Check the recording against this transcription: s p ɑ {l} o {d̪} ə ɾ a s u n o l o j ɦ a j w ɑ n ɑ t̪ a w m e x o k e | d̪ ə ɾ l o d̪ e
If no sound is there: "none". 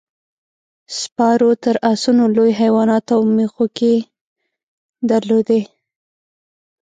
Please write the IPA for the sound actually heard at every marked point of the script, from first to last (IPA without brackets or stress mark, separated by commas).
ɾ, t̪